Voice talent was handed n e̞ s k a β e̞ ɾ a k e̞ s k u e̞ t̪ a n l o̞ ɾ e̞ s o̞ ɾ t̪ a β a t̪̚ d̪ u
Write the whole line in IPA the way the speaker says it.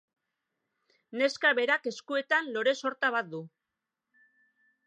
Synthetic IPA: n e̞ s k a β e̞ ɾ a k e̞ s k u e̞ t̪ a n l o̞ ɾ e̞ s o̞ ɾ t̪ a β a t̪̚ d̪ u